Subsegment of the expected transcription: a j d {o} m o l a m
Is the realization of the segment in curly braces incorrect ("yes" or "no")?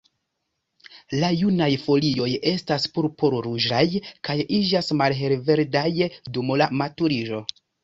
yes